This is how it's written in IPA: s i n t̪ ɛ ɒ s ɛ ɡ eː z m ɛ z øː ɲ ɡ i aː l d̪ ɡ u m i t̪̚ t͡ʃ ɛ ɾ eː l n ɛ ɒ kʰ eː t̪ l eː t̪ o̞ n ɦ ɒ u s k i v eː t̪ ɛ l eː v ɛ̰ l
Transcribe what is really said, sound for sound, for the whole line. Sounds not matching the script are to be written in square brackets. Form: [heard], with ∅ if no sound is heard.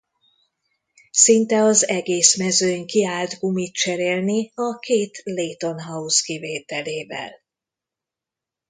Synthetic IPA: s i n t̪ ɛ ɒ [z] ɛ ɡ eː [s] m ɛ z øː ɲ [k] i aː l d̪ ɡ u m i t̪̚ t͡ʃ ɛ ɾ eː l n [i] ɒ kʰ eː t̪ l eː t̪ o̞ n ɦ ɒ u s k i v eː t̪ ɛ l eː v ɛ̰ l